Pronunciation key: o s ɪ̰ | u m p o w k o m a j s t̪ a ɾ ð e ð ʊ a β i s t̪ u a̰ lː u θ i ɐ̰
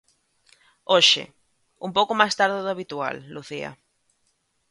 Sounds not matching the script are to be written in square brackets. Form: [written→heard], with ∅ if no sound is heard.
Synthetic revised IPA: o [s→ʃ] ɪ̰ | u m p o w k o m a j s t̪ a ɾ ð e ð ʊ a β i [s→∅] t̪ u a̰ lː u θ i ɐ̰